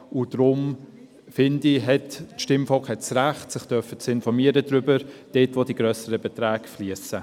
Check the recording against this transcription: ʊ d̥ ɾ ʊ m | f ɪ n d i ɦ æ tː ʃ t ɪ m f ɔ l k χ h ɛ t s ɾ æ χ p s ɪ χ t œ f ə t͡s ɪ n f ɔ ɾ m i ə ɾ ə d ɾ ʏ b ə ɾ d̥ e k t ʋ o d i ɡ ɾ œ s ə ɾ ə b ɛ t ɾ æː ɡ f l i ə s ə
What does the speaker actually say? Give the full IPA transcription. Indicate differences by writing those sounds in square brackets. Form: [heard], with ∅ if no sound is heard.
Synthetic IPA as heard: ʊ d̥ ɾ ʊ m | f ɪ n d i ɦ [ɛ] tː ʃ t ɪ m f ɔ l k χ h ɛ t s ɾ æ χ [t] s ɪ χ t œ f ə t͡s ɪ n f ɔ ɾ m i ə ɾ ə d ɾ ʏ b ə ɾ d̥ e [∅] t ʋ o d i ɡ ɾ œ s ə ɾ ə b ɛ t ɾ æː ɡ f l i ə s ə

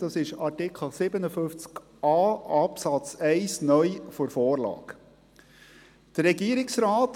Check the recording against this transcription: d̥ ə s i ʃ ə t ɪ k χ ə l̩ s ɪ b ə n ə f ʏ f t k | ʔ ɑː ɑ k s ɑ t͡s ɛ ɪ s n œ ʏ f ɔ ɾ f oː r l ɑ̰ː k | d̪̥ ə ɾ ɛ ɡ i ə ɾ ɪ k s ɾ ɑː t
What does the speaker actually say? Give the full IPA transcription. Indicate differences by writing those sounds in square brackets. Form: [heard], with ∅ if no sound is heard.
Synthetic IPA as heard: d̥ [ɑ] s [ɪ] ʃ [ɑ] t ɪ k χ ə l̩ s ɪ b ə n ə f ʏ f [t͡s] k | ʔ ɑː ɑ [p] s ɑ t͡s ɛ ɪ s n œ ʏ f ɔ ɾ f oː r l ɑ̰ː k | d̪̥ ə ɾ ɛ ɡ i ə ɾ ɪ k s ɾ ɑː t

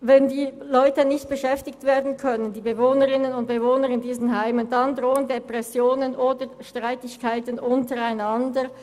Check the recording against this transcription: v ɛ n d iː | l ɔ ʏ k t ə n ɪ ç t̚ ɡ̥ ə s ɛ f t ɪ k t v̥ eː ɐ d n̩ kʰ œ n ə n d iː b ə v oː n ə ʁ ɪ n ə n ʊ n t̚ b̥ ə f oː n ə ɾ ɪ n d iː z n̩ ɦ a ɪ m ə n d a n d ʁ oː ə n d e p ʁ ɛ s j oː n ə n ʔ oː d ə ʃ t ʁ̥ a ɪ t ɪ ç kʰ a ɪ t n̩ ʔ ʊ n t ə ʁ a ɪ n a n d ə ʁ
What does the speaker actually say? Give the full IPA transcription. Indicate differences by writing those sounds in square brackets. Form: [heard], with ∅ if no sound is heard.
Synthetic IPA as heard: v ɛ n d iː | l ɔ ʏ [∅] t ə n ɪ ç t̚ [b̥] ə [ʃ] ɛ f t ɪ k t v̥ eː ɐ d n̩ kʰ œ n ə n d iː b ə v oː n ə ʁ ɪ n ə n ʊ n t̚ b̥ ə [v] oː n ə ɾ ɪ n d iː z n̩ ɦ a ɪ m ə n d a n d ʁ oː ə n d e p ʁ ɛ s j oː n ə n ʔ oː d ə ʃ t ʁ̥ a ɪ t ɪ ç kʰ a ɪ t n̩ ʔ ʊ n t ə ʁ a ɪ n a n d ə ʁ

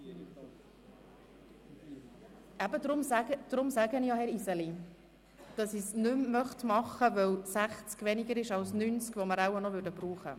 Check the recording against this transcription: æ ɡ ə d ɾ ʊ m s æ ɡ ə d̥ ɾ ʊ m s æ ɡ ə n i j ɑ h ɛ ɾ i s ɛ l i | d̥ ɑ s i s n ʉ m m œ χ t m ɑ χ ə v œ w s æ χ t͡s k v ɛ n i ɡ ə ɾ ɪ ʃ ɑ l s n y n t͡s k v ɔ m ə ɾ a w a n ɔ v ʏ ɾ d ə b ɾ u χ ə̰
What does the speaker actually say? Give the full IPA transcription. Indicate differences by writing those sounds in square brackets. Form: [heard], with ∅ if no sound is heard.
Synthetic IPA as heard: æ [b] ə d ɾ ʊ m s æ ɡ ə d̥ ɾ ʊ m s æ ɡ ə n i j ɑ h ɛ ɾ i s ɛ l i | d̥ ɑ s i s n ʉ m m œ χ t m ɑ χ ə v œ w s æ χ t͡s k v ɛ n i ɡ ə ɾ ɪ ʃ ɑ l s n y n t͡s k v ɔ m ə ɾ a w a n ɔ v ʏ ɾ d ə b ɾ [uː] χ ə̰

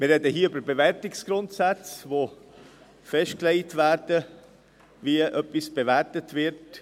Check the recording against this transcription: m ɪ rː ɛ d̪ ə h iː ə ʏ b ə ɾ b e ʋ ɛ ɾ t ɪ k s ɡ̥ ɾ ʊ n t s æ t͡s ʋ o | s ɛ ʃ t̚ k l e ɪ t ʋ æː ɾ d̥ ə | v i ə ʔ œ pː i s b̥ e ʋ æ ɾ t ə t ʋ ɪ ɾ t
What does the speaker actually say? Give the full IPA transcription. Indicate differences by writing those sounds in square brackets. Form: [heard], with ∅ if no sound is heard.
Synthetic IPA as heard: m ɪ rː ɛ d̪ ə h iː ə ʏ b ə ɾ b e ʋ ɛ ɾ t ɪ k s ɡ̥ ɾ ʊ n t s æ t͡s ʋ o | [f] ɛ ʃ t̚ k l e ɪ t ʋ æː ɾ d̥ ə | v i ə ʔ œ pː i s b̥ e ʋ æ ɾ t ə t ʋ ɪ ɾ t

